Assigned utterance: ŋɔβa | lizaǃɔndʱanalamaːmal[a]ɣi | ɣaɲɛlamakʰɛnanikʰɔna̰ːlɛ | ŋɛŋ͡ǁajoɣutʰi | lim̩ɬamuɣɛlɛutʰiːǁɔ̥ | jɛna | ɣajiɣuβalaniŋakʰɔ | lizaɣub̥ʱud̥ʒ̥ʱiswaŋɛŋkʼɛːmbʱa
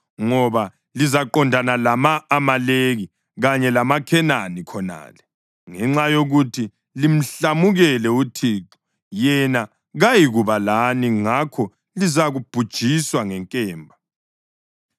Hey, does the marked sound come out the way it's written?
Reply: no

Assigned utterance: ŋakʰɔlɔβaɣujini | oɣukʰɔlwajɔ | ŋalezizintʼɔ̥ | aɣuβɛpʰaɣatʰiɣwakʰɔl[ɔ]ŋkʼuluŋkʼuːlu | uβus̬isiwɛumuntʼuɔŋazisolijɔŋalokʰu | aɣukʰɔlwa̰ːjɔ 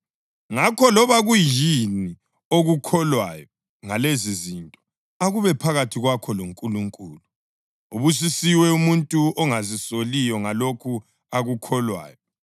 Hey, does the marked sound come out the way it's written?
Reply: no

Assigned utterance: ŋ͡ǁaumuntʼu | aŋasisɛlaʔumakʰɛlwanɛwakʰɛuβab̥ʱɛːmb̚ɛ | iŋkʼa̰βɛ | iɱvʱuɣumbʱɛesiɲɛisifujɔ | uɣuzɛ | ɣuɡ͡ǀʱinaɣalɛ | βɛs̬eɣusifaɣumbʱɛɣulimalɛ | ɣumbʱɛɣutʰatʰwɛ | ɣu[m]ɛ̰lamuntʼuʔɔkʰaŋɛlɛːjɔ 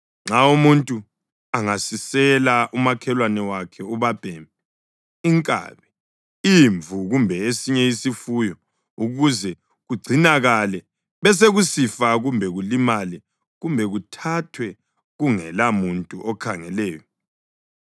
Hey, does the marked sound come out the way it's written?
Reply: no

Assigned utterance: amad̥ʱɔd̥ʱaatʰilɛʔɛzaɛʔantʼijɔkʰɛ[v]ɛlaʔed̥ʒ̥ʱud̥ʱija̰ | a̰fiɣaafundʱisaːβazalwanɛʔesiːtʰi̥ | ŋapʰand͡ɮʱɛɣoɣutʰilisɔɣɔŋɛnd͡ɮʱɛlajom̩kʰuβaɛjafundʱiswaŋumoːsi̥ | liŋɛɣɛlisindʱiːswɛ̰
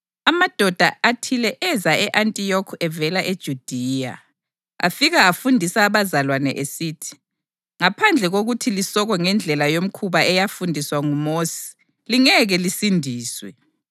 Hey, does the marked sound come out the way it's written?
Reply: yes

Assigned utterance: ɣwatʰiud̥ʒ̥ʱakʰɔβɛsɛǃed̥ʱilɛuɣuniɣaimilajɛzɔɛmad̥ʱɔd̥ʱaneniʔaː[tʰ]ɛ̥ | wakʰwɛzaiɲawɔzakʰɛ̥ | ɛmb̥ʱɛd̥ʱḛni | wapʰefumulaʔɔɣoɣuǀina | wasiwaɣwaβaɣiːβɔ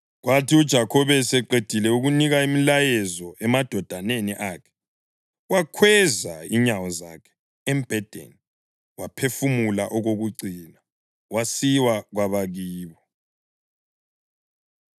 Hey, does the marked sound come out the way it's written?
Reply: no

